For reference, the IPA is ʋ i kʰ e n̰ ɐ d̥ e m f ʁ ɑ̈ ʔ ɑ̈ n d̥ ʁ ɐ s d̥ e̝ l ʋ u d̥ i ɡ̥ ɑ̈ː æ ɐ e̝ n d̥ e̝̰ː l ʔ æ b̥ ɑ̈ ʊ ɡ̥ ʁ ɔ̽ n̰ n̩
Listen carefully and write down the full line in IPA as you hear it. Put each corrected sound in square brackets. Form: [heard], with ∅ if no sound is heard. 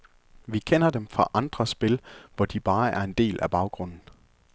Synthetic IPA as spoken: ʋ i kʰ e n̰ ɐ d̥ e m f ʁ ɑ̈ ʔ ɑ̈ n d̥ ʁ ɐ s [b̥] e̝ l ʋ [ɒ] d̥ i [b̥] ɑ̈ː æ ɐ e̝ n d̥ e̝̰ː l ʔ æ b̥ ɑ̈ ʊ ɡ̥ ʁ ɔ̽ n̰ n̩